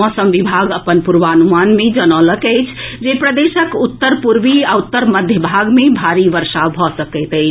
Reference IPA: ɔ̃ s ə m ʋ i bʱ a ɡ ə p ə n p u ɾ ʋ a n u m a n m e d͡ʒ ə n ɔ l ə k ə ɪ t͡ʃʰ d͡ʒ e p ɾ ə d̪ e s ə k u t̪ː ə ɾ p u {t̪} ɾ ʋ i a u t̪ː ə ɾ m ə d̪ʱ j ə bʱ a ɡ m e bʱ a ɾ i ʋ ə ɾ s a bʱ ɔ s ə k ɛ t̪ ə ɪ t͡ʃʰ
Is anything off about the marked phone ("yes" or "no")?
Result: yes